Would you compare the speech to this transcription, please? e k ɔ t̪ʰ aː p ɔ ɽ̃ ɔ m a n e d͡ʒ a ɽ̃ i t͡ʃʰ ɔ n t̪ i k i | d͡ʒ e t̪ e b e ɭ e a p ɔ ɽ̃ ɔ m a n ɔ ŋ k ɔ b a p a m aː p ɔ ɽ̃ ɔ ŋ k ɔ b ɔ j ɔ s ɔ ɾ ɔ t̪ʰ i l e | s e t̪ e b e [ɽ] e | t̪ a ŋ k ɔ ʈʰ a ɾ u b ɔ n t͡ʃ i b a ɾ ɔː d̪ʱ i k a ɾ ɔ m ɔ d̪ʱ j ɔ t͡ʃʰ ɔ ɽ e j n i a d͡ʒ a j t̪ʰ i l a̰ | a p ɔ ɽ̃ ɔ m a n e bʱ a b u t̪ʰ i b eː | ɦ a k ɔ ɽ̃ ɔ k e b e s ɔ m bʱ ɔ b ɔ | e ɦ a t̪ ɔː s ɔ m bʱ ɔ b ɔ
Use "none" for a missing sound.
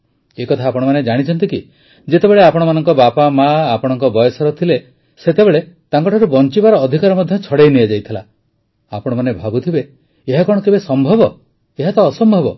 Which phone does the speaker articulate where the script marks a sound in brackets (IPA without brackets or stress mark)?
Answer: ɭ